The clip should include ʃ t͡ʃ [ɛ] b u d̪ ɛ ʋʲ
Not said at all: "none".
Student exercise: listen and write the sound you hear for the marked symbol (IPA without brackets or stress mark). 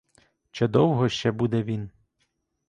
ɛ